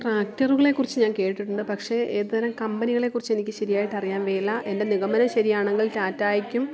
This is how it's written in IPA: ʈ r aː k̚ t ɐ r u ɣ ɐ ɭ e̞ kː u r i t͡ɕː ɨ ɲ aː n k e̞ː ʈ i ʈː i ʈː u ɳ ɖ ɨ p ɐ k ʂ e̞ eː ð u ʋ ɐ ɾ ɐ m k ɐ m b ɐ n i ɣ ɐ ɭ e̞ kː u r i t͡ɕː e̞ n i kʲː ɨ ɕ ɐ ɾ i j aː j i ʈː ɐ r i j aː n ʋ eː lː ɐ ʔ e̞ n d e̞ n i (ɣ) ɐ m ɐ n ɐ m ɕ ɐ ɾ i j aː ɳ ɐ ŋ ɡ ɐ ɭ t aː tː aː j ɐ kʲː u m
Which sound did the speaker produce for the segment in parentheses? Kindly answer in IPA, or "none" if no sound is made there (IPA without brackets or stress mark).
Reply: ɣ